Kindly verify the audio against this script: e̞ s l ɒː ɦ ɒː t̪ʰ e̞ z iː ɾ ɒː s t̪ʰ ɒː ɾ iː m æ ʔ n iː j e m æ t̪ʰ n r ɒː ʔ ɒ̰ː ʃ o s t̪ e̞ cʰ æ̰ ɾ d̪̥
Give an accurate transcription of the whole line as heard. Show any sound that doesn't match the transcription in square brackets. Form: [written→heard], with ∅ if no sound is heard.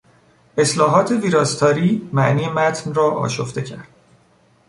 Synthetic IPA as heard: e̞ s l ɒː ɦ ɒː t̪ʰ e̞ [z→v] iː ɾ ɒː s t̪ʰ ɒː ɾ iː m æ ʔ n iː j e m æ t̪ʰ n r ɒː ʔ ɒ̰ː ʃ o [s→f] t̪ e̞ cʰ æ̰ ɾ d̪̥